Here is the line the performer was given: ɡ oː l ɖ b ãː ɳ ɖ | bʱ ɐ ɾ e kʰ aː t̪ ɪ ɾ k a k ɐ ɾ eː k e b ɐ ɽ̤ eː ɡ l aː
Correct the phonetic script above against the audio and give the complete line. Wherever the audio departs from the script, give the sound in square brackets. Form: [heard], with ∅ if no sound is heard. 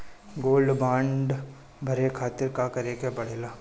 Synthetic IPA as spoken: ɡ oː l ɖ b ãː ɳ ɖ | bʱ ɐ ɾ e kʰ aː t̪ ɪ ɾ k a k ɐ ɾ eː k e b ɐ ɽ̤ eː [∅] l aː